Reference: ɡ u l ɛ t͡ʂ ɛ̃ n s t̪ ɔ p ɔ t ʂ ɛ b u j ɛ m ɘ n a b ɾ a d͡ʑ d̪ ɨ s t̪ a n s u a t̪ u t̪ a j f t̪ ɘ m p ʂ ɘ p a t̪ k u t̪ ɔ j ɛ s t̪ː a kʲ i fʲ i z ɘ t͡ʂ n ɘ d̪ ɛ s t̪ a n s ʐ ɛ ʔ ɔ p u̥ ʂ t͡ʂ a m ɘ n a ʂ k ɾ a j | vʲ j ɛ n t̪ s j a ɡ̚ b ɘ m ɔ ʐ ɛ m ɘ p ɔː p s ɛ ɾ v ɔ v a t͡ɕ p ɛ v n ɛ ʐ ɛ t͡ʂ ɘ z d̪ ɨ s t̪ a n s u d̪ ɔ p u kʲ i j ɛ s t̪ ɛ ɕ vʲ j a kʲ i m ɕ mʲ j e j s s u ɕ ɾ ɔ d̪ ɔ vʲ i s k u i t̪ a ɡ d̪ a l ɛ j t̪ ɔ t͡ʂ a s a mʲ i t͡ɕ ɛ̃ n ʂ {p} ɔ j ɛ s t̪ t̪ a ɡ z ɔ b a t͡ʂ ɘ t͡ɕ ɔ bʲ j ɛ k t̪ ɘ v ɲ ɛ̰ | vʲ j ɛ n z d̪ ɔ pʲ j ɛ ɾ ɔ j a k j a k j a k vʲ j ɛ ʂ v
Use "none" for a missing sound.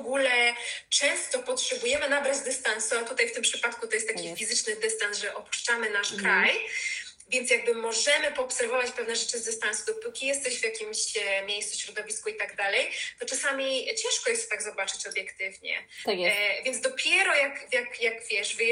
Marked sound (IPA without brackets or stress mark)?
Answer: k